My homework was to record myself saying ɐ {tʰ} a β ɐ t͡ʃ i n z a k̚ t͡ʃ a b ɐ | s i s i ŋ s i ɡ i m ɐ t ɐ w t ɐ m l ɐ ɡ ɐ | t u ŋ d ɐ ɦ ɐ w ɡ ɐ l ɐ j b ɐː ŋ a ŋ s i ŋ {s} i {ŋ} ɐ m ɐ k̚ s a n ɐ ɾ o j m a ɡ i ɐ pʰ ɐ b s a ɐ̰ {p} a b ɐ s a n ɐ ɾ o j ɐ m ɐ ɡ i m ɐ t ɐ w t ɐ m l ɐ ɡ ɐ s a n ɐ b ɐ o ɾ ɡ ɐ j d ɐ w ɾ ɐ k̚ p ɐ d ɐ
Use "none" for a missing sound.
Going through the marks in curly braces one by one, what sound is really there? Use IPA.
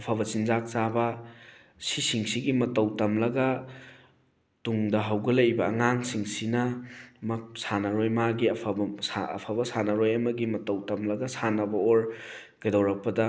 pʰ, s, n, pʰ

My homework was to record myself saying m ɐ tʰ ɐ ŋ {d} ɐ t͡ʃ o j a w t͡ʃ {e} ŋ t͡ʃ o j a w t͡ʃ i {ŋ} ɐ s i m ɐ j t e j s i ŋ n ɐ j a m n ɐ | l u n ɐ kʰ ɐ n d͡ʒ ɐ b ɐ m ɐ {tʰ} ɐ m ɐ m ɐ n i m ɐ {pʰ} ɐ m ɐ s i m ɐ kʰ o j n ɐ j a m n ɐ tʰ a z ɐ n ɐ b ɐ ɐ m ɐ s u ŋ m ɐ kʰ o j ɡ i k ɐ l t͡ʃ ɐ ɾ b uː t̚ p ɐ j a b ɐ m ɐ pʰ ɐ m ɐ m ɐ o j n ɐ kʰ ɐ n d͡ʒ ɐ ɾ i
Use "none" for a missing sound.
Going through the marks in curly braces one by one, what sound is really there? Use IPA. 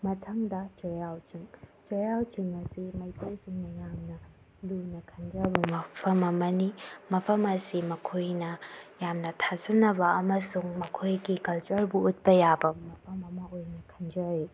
d, i, ŋ, pʰ, pʰ

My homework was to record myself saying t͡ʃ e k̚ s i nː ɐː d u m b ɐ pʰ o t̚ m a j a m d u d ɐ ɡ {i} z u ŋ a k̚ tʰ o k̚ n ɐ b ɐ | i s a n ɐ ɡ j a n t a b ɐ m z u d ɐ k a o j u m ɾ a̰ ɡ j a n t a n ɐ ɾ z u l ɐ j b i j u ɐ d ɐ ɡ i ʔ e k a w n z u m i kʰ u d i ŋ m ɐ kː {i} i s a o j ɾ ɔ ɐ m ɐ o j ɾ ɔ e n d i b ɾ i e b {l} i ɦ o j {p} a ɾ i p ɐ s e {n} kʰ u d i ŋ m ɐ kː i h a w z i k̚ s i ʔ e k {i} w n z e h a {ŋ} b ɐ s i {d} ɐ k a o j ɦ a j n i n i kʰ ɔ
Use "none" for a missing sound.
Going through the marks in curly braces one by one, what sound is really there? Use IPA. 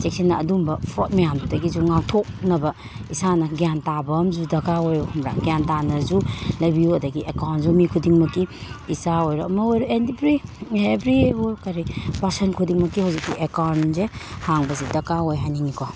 i, i, ɾ, k, n, a, ŋ, d

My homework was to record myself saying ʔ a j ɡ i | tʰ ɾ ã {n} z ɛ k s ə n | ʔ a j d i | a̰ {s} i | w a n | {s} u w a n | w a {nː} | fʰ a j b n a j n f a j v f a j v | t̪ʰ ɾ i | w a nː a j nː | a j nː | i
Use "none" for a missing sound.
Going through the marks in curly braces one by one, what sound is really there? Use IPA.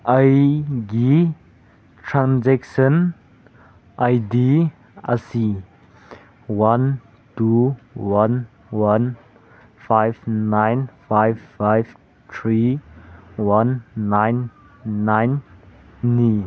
n, s, t, n

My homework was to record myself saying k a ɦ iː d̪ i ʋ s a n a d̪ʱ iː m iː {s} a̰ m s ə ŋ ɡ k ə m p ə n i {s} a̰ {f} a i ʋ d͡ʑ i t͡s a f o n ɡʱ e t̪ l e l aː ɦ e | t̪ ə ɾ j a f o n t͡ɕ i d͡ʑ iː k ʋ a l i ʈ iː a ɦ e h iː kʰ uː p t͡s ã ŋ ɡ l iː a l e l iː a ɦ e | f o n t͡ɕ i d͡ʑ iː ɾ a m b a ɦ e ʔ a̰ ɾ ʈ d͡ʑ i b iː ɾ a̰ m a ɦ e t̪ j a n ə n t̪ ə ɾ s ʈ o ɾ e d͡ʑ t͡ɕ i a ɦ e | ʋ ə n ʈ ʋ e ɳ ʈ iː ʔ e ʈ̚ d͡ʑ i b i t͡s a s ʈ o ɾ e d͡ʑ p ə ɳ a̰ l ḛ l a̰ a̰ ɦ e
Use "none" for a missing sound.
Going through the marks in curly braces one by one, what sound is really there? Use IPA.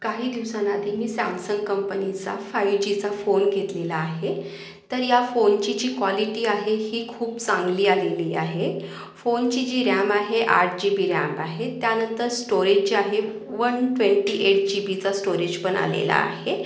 s, t͡s, f

